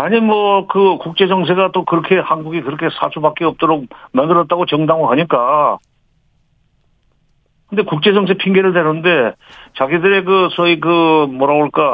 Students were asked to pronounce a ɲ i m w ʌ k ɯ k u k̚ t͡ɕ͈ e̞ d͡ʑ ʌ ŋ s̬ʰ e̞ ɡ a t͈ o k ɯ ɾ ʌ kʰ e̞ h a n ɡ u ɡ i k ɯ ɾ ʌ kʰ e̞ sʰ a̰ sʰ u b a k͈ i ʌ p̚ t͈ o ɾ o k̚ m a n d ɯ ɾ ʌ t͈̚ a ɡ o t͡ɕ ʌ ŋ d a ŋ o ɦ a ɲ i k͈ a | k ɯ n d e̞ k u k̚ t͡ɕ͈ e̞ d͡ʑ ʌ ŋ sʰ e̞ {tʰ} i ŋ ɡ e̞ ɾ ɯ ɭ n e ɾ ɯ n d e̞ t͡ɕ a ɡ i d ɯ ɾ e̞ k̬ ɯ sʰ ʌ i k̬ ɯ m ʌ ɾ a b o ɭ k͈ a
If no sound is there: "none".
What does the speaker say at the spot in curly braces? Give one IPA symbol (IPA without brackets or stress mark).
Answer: pʰ